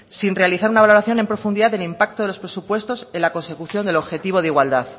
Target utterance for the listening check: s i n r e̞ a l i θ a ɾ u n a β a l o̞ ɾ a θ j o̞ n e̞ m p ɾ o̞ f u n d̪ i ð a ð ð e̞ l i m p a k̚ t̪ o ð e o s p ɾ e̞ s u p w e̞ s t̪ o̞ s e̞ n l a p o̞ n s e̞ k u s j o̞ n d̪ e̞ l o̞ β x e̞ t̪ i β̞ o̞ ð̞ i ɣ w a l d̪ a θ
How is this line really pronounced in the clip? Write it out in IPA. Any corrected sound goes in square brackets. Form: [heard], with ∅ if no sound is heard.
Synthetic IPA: s i n r e̞ a l i θ a ɾ u n a β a l o̞ ɾ a θ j o̞ n e̞ m p ɾ o̞ f u n d̪ i ð a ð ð e̞ l i m p a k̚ t̪ o ð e o s p ɾ e̞ s u p w e̞ s t̪ o̞ s e̞ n l a [k] o̞ n s e̞ k u [θ] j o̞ n d̪ e̞ l o̞ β x e̞ t̪ i β̞ o̞ ð̞ i ɣ w a l d̪ a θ